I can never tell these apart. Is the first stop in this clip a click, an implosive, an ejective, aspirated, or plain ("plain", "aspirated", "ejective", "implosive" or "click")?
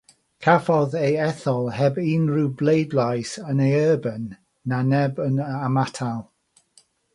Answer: aspirated